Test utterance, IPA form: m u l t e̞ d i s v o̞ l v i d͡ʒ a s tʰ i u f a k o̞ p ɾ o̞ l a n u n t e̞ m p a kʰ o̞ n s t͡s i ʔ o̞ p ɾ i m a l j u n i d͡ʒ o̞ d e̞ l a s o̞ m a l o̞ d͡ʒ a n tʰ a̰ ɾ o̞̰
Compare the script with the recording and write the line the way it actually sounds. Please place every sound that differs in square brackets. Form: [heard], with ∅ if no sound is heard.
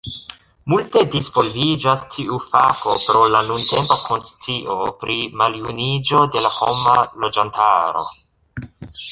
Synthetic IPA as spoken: m u l t e̞ d i s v o̞ l v i d͡ʒ a s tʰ i u f a k o̞ p ɾ o̞ l a n u n t e̞ m p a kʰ o̞ n s t͡s i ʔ o̞ p ɾ i m a l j u n i d͡ʒ o̞ d e̞ l a [h] o̞ m a l o̞ d͡ʒ a n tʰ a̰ ɾ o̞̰